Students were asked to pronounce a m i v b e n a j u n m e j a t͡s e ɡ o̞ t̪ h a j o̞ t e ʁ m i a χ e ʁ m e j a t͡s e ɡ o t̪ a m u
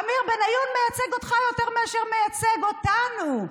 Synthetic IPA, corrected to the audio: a m i ʁ b e n a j u n m e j a t͡s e ɡ o̞ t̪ χ a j o̞ t e ʁ m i a ʃ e ʁ m e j a t͡s e ɡ o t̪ a n u